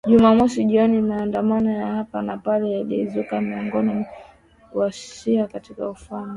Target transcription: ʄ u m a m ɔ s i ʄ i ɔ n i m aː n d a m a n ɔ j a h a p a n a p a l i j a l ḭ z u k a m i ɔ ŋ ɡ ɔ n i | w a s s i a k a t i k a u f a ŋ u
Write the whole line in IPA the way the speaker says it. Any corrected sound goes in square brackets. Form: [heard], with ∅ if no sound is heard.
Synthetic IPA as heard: ʄ u m a m ɔ s i ʄ i ɔ n i m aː n d a m a n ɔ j a h a p a n a p a l [ɛ] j a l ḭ z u k a m i ɔ ŋ ɡ ɔ n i | w a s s i a k a t i k a u f a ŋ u